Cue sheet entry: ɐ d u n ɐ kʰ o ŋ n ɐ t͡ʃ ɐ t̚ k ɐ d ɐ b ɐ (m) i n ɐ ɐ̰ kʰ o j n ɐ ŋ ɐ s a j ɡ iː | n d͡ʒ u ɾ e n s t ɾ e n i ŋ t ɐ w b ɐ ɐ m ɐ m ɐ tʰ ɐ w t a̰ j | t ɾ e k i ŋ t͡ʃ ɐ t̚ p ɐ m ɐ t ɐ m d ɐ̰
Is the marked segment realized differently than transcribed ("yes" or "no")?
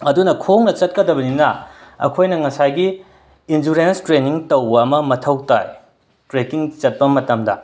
yes